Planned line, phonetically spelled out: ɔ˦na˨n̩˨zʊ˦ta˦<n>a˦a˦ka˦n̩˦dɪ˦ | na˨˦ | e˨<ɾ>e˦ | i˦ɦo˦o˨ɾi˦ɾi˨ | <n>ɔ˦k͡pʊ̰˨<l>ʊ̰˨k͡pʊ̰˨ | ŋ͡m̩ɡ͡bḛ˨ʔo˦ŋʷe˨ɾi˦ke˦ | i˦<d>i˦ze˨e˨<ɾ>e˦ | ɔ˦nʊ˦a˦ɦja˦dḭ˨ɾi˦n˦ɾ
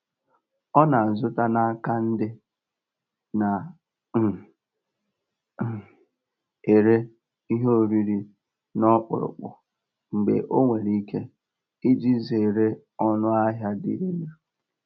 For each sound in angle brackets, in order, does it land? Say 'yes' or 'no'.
yes, yes, yes, no, no, yes

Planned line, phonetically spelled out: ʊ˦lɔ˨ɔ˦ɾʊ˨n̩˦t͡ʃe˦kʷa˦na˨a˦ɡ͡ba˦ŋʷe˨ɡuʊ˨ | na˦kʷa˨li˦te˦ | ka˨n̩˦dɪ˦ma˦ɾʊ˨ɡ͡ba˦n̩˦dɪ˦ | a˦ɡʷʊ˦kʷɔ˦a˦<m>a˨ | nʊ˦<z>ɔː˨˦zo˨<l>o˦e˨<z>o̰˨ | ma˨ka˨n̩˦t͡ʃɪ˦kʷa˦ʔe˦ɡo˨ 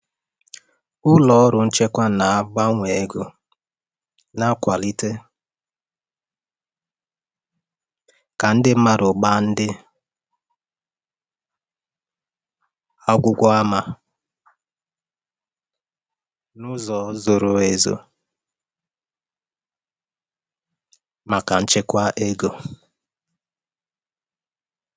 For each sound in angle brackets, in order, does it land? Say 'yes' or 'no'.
yes, yes, no, yes

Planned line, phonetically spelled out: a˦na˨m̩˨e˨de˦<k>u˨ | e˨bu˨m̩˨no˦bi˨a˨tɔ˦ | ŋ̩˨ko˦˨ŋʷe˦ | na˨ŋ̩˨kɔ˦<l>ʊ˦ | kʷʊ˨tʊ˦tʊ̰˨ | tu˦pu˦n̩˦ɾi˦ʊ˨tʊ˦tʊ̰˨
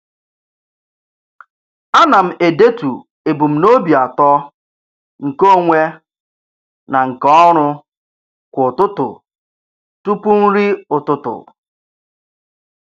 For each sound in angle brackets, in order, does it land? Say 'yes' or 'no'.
no, no

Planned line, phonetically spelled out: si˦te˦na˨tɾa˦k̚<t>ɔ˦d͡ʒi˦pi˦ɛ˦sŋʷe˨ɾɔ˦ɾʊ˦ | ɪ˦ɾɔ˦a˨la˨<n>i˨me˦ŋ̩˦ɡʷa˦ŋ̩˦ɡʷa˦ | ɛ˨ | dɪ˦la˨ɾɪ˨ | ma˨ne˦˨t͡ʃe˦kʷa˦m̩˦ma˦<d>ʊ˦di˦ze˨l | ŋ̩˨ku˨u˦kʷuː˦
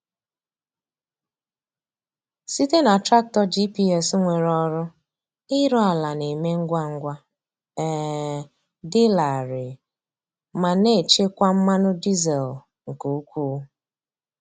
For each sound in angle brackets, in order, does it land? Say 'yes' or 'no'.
yes, yes, no

